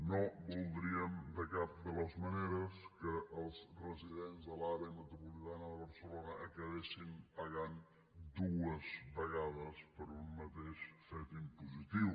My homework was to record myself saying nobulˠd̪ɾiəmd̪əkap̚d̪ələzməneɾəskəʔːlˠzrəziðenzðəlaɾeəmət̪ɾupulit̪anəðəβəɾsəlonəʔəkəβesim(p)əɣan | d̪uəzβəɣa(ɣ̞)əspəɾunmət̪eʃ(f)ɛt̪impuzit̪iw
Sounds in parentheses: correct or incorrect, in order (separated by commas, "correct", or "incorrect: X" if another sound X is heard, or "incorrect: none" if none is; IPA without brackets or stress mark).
correct, incorrect: ð̞, correct